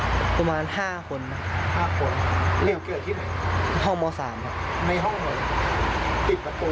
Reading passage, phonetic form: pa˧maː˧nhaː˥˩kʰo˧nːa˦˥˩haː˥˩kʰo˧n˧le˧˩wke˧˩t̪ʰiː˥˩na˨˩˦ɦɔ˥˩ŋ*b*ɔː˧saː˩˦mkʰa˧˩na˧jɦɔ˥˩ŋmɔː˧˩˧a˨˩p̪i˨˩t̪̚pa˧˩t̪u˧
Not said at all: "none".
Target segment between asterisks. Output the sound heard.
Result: m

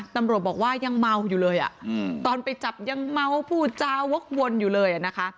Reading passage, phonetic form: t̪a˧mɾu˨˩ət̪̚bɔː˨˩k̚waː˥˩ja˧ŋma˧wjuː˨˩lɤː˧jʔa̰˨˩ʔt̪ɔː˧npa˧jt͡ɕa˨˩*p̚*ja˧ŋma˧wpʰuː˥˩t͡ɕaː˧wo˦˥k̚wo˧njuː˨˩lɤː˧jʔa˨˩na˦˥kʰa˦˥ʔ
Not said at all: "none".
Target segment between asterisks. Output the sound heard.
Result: p̚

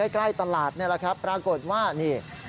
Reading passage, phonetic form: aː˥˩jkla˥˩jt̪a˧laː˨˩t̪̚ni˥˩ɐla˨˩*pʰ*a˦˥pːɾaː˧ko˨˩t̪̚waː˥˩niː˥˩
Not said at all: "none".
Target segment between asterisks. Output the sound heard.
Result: kʰ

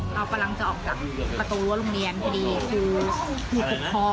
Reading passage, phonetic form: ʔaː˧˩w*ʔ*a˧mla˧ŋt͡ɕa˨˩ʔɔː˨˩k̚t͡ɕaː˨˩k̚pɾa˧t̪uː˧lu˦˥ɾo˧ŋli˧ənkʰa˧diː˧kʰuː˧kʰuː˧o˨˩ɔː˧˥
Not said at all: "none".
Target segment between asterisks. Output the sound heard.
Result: k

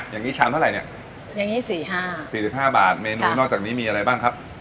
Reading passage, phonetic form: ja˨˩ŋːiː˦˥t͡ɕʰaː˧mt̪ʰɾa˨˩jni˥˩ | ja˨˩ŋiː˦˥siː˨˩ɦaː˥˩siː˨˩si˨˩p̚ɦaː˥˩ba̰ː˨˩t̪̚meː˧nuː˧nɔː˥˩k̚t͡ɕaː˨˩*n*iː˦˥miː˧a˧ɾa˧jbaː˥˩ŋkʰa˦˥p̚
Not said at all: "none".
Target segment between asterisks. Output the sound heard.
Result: n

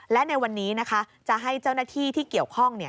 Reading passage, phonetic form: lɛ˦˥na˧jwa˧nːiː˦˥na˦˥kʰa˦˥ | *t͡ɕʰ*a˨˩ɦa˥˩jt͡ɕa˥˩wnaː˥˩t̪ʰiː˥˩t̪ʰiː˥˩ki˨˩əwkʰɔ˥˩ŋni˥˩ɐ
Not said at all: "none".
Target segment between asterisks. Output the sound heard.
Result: t͡ɕ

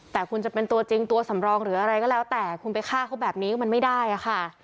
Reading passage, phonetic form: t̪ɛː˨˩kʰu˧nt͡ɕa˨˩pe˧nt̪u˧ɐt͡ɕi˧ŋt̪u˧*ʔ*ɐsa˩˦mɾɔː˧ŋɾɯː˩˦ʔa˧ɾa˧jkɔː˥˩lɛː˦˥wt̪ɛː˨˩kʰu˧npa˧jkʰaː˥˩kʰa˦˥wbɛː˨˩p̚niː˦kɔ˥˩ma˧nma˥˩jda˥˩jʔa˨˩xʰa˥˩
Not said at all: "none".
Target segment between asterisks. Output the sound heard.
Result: none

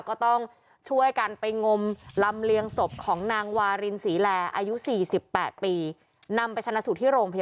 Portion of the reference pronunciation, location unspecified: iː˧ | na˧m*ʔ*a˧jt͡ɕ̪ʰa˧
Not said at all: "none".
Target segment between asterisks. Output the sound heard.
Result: p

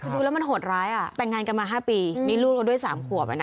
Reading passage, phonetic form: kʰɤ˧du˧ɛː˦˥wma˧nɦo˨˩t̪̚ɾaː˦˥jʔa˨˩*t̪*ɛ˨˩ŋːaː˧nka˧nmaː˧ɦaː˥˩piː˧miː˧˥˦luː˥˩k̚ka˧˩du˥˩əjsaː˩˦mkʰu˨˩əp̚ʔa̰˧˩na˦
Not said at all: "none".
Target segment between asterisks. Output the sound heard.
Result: t̪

